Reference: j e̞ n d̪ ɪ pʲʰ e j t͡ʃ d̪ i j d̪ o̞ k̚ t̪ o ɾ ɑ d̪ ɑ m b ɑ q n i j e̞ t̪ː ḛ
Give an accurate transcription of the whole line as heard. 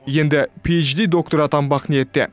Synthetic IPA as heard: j e̞ n d̪ ɪ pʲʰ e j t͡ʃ d̪ i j d̪ o̞ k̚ t̪ o ɾ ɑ t̪ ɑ m b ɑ q n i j e̞ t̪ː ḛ